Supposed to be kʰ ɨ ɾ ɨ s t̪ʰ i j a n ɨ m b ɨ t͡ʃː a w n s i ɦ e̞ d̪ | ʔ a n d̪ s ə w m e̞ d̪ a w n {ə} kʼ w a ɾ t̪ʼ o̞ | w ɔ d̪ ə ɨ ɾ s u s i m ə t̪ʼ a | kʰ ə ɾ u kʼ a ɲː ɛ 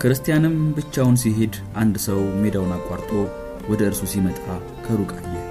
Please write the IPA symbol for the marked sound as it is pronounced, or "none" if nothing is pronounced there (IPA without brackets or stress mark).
a